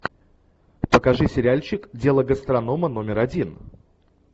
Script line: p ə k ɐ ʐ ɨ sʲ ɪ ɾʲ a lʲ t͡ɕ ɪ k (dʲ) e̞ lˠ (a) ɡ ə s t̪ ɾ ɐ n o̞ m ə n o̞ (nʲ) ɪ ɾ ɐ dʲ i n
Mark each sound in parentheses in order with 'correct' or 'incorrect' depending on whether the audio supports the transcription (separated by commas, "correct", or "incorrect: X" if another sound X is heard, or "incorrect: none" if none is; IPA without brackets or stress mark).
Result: correct, incorrect: ə, incorrect: mʲ